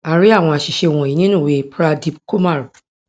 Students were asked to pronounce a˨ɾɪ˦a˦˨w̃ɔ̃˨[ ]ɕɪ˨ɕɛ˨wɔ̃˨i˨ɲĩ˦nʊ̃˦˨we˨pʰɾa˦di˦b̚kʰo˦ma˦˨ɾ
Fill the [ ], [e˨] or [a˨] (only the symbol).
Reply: a˨